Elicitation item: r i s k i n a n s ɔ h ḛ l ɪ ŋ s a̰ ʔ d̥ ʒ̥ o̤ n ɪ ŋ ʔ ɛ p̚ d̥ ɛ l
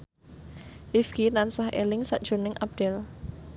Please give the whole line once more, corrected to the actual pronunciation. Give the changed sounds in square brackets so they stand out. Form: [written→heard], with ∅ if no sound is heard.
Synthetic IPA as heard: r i [s→f] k i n a n s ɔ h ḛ l ɪ ŋ s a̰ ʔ d̥ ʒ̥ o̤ n ɪ ŋ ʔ [ɛ→a] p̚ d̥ ɛ l